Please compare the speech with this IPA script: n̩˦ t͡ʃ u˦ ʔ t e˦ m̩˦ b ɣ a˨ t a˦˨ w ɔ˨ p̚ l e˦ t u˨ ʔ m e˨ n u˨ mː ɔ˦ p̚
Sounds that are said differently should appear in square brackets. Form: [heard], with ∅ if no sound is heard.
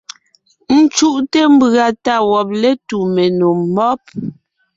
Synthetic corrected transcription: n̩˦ t͡ʃ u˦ ʔ t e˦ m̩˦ b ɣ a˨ t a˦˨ w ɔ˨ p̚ l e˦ t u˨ [∅] m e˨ n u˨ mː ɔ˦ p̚